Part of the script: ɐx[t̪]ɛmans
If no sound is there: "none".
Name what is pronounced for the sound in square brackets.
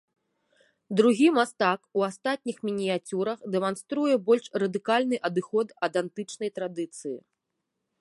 d̪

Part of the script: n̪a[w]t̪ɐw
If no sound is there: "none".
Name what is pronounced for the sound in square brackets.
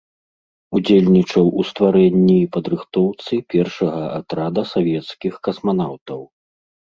w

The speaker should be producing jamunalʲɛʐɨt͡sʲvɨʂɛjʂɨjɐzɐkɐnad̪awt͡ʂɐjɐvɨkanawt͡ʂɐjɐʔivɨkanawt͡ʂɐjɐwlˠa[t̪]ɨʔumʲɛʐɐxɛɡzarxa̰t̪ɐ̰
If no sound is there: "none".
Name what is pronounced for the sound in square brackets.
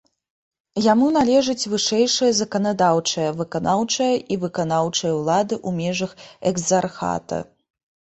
d̪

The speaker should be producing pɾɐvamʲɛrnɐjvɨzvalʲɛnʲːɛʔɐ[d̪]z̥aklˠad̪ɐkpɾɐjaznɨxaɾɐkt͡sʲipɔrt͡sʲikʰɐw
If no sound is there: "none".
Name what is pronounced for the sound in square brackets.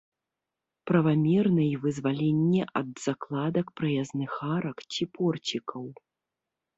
d̪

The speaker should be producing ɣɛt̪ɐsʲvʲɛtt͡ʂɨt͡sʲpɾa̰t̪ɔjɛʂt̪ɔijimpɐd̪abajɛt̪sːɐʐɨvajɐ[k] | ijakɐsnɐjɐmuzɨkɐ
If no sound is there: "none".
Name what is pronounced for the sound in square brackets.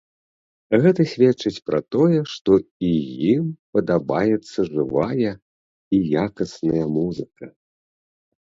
none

